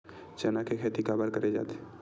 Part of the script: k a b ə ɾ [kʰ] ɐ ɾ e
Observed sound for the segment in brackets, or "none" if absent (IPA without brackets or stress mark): k